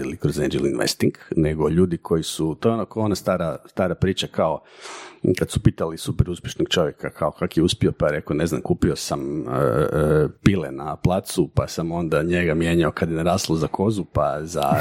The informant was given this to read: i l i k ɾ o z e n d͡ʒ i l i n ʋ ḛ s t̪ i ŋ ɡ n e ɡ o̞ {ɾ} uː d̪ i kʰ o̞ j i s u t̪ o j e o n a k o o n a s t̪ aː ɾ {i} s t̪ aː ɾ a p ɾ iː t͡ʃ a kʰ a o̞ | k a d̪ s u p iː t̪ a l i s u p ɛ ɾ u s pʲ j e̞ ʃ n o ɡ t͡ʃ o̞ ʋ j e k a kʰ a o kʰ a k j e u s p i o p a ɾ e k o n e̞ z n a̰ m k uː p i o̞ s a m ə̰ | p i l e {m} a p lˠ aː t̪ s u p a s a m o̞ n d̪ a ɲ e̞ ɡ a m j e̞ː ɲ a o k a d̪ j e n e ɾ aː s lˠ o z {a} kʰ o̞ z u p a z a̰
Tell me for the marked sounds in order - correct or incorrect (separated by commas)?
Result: incorrect, incorrect, incorrect, correct